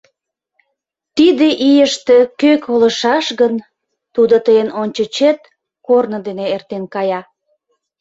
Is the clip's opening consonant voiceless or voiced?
voiceless